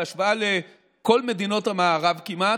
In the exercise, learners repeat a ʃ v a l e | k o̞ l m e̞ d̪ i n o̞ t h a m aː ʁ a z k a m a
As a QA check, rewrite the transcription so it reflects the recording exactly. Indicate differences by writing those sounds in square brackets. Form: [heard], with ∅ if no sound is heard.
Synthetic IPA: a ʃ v a l e | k o̞ l m e̞ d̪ i n o̞ t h a m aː ʁ a [v] k [i] m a